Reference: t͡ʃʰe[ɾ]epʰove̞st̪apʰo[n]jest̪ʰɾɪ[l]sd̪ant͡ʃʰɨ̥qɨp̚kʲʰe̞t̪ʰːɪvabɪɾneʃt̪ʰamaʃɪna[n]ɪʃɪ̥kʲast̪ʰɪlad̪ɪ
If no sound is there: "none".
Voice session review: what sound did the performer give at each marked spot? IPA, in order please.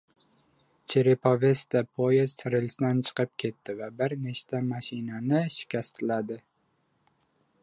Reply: ɾ, none, l, n

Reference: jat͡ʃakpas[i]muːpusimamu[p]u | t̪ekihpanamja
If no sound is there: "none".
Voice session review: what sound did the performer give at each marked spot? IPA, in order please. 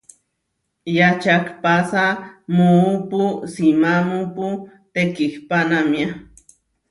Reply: a, p

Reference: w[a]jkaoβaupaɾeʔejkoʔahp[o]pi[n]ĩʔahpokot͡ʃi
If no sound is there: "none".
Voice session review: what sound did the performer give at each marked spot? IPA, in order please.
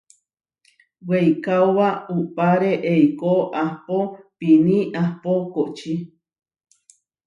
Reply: e, o, n

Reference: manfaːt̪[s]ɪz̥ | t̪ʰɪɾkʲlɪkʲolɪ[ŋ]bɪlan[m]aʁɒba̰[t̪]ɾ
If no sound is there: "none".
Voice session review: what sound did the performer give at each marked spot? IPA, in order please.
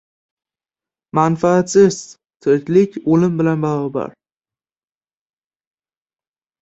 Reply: s, m, b, none

